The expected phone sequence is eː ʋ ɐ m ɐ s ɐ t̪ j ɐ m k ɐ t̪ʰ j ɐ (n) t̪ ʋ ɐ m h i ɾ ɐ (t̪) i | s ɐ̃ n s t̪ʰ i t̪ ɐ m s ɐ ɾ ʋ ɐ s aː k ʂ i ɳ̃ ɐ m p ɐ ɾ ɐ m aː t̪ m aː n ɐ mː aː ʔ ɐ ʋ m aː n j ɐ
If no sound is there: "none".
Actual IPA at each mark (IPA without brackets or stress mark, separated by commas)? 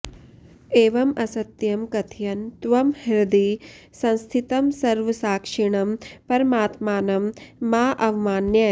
n, d̪